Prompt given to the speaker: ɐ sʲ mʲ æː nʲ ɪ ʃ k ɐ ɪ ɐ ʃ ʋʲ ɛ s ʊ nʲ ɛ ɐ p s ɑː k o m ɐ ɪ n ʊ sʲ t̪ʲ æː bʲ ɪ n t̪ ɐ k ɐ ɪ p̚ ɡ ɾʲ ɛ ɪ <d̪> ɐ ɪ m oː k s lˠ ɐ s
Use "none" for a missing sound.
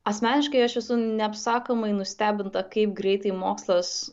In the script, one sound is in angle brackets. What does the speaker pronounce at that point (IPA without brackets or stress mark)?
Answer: t̪